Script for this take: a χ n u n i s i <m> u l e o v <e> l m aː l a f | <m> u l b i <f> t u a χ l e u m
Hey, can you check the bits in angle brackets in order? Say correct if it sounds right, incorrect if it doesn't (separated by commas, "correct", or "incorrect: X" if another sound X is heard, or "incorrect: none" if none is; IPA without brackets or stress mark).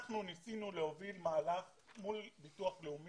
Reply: incorrect: n, incorrect: i, correct, incorrect: none